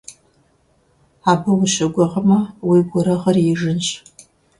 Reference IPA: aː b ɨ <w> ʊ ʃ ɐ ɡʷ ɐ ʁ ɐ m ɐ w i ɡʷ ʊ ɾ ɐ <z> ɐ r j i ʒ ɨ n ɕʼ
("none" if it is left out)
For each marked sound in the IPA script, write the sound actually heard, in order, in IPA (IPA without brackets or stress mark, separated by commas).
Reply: w, ʁ